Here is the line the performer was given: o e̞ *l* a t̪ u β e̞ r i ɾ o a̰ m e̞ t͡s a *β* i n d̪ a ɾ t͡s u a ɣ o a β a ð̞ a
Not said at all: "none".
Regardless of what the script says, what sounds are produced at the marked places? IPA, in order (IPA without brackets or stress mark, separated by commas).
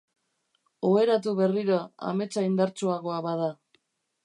ɾ, none